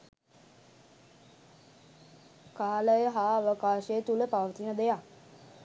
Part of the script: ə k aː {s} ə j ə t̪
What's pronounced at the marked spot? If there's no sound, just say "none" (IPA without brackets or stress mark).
ʃ